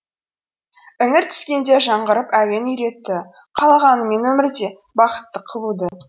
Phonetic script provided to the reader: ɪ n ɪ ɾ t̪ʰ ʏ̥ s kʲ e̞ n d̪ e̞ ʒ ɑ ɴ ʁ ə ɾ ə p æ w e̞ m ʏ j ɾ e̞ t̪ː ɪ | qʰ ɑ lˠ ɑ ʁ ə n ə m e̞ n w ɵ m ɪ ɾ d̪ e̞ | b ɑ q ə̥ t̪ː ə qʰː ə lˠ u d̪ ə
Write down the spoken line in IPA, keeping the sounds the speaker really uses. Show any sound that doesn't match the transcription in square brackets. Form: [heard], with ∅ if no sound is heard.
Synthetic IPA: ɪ [ŋ] ɪ ɾ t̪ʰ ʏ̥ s kʲ e̞ n d̪ e̞ ʒ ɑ ɴ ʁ ə ɾ ə p æ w e̞ [n] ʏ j ɾ e̞ t̪ː ɪ | qʰ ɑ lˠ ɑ ʁ [ɑ] n ə m e̞ n w ɵ m ɪ ɾ d̪ e̞ | b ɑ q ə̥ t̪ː ə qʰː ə lˠ u d̪ ə